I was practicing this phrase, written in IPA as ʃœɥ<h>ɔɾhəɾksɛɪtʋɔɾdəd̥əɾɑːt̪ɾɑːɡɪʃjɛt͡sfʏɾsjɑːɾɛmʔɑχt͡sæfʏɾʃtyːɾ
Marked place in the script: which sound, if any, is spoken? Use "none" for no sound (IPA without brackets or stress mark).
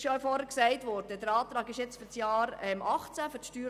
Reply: f